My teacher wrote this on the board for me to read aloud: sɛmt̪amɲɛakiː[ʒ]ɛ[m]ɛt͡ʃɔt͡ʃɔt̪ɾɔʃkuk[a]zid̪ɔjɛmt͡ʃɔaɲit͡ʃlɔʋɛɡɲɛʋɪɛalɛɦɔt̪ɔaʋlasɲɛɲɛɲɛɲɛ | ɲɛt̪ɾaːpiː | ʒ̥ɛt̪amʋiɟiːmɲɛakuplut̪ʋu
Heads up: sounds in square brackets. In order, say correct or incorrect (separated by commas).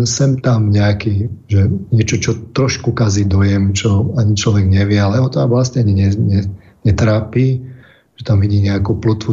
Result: correct, incorrect, correct